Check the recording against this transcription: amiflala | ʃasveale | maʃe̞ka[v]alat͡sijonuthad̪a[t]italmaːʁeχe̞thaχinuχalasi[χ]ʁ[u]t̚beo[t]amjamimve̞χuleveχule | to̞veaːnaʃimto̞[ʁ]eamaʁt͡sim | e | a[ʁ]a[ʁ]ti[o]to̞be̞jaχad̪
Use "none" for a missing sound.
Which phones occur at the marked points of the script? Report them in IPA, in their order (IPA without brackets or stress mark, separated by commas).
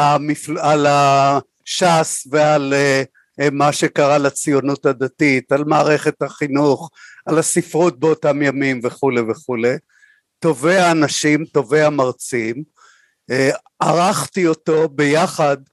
ʁ, t, f, u, t, v, ʁ, χ, o